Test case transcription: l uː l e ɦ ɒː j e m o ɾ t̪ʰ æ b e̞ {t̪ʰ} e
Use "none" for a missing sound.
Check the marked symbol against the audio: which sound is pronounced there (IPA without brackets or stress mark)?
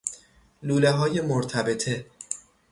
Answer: t̪ʰ